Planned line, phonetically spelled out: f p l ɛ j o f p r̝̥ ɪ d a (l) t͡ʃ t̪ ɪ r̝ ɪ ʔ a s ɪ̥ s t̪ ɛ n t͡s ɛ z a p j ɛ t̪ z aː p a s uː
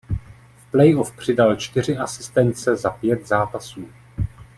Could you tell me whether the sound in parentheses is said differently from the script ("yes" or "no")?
no